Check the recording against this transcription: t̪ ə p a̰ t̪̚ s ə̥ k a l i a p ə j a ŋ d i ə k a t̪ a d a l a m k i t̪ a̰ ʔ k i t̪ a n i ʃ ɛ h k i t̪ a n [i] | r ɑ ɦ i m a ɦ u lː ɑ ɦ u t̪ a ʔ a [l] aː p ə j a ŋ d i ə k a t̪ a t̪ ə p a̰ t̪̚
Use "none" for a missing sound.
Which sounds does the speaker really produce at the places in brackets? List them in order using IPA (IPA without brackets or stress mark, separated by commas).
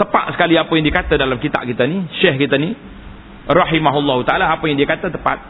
i, l